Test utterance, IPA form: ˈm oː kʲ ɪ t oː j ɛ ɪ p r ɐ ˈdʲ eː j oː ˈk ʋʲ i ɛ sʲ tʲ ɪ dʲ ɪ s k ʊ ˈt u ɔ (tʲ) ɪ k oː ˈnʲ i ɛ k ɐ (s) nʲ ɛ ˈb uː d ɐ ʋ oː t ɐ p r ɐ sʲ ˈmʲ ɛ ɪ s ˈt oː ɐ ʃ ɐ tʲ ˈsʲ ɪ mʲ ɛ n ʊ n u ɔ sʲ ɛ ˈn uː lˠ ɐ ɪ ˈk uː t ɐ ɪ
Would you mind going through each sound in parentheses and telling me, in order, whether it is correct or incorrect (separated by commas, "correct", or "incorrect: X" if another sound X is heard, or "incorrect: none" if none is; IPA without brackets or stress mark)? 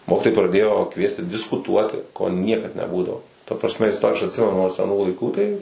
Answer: correct, incorrect: t